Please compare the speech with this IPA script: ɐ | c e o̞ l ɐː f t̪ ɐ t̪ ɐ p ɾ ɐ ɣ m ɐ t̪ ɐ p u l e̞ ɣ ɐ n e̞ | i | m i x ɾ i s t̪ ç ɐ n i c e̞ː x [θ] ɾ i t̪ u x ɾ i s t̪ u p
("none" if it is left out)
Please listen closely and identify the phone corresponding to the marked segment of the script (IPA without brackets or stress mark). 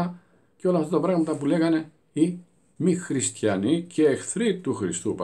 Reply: θ